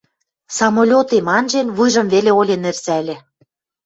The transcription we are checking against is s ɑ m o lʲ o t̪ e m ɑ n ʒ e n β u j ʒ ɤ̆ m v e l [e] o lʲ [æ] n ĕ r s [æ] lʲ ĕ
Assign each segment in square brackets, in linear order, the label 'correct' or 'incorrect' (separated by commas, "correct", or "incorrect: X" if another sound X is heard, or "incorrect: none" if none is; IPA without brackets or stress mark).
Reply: correct, incorrect: e, correct